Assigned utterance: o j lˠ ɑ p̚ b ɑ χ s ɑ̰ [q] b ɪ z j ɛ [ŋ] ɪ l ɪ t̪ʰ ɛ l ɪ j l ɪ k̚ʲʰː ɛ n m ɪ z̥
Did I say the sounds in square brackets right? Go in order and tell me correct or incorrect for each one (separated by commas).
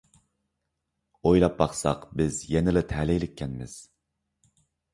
correct, incorrect